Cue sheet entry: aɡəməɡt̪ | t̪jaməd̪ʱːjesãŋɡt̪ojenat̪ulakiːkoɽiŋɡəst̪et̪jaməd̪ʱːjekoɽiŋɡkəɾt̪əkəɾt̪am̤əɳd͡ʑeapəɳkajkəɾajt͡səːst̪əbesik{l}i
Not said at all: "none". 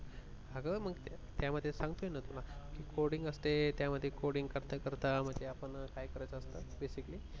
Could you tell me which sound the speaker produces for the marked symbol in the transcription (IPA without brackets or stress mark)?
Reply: l